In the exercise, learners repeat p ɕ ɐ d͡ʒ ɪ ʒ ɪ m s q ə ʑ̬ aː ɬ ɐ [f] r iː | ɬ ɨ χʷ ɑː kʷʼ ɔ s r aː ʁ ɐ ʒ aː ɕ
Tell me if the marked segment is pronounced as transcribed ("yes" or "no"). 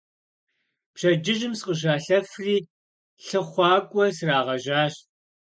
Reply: yes